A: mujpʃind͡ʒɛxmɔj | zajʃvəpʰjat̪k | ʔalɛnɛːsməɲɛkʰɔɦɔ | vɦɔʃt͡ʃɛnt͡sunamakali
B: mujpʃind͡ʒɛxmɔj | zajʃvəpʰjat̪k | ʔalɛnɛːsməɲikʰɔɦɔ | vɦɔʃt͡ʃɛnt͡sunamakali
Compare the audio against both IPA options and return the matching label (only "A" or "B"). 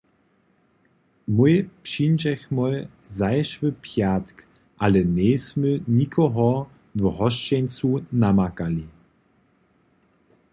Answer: B